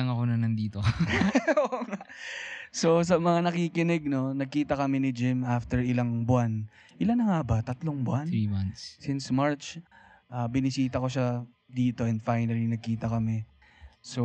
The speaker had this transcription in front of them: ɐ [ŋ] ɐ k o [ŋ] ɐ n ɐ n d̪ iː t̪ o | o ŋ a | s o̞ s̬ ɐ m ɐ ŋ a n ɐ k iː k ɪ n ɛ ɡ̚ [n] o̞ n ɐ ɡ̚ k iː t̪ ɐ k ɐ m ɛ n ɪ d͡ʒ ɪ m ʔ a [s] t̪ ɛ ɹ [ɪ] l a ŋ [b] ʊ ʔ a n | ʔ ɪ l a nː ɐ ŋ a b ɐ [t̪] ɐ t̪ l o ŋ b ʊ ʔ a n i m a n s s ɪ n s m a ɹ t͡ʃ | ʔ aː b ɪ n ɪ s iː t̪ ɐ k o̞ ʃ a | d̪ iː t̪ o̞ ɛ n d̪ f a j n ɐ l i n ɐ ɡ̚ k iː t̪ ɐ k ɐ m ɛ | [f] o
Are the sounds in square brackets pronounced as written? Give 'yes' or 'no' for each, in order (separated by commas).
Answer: yes, no, yes, no, yes, yes, yes, no